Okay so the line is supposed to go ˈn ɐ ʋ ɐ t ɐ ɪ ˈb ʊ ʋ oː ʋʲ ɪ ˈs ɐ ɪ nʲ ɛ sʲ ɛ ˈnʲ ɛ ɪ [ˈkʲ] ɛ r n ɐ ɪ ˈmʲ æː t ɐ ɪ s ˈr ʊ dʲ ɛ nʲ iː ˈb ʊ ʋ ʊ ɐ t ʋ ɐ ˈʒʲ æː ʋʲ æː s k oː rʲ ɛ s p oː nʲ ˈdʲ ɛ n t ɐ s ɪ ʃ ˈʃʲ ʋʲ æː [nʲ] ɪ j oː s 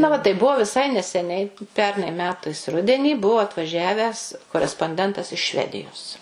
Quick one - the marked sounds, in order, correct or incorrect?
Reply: incorrect: pʲ, incorrect: dʲ

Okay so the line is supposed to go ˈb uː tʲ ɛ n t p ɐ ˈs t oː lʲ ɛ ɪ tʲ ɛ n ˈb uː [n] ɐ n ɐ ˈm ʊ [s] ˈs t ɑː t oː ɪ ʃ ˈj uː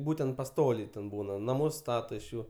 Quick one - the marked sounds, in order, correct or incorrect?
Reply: correct, correct

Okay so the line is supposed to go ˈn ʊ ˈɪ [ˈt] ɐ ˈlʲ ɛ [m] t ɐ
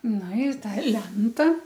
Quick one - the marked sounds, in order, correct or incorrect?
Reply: correct, incorrect: n

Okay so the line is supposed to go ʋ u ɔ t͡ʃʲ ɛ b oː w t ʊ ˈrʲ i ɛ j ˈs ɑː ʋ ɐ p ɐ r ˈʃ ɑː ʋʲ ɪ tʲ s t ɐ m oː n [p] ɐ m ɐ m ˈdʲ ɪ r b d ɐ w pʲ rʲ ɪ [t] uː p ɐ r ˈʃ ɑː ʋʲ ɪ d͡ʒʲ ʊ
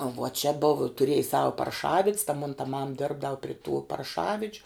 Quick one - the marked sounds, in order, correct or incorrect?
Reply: incorrect: t, correct

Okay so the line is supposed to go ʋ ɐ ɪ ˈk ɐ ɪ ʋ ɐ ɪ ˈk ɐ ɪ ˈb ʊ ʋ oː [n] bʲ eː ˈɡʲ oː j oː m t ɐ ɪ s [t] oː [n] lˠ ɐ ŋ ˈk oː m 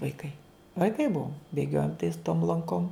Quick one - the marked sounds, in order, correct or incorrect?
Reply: incorrect: m, correct, incorrect: m

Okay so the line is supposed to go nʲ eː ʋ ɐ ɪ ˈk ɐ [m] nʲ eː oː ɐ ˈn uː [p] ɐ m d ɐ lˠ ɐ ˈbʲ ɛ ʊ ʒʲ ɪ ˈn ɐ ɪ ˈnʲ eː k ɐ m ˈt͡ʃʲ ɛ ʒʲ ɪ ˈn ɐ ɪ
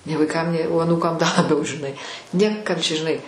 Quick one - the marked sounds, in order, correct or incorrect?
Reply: correct, incorrect: k

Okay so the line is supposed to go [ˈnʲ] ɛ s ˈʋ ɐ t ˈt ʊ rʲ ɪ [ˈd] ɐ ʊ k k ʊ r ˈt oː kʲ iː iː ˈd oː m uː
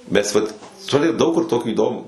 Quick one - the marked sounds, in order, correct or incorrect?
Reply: incorrect: mʲ, correct

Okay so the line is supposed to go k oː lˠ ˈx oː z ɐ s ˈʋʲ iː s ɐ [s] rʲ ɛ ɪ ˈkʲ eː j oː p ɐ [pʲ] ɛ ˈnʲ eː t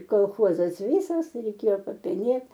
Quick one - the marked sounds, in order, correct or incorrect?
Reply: correct, correct

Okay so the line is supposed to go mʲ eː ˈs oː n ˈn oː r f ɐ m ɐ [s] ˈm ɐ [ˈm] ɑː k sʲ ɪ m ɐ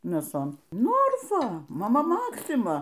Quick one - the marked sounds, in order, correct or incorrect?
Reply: incorrect: none, correct

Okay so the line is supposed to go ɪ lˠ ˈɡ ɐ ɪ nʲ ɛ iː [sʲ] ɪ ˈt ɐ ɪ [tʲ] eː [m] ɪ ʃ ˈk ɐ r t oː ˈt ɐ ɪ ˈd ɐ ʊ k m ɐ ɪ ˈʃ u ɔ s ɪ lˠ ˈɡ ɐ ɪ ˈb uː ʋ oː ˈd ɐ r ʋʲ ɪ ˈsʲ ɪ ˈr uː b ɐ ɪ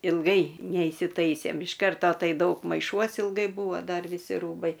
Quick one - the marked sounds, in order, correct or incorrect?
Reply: correct, incorrect: sʲ, correct

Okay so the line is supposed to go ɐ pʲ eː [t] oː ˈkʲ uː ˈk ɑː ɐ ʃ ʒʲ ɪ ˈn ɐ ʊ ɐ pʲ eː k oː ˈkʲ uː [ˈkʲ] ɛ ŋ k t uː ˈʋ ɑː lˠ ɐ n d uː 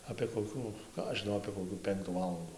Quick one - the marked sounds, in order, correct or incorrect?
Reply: incorrect: k, incorrect: pʲ

